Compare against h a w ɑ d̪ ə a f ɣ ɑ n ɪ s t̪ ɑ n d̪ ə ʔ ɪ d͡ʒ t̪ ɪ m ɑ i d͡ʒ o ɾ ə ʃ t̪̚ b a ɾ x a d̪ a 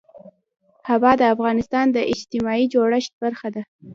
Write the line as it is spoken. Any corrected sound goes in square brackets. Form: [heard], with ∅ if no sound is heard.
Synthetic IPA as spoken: h a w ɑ d̪ ə a f ɣ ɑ n ɪ s t̪ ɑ n d̪ ə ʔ ɪ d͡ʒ t̪ ɪ m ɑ i d͡ʒ o [ɽ] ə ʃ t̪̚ b a ɾ x a d̪ a